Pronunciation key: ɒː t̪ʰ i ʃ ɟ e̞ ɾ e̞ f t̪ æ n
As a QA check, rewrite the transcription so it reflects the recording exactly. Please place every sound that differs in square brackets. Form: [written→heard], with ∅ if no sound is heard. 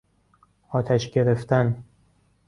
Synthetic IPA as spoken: ɒː t̪ʰ [i→æ] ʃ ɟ e̞ ɾ e̞ f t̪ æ n